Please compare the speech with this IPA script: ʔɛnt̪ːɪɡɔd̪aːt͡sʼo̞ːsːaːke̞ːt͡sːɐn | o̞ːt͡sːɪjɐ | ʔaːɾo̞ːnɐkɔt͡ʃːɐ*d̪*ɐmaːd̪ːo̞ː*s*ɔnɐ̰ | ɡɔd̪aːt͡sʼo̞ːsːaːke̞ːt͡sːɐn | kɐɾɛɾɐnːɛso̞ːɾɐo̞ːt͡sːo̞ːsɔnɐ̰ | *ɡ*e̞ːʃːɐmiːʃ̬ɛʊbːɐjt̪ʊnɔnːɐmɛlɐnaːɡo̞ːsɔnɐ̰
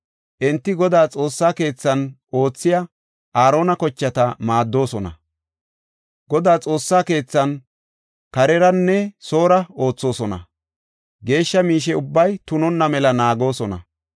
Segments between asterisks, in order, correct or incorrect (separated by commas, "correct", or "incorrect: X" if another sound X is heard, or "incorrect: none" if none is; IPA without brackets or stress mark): incorrect: t̪, correct, correct